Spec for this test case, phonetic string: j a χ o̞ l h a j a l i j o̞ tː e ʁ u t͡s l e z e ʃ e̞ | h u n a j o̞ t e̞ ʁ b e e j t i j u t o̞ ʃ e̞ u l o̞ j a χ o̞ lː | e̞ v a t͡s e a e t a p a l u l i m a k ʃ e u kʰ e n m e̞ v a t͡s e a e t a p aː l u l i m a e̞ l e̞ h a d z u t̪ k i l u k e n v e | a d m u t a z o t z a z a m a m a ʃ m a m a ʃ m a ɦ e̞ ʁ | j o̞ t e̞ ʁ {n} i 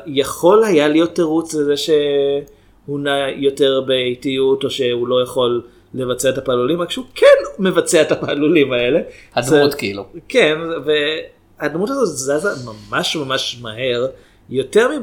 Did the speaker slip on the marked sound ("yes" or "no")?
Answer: yes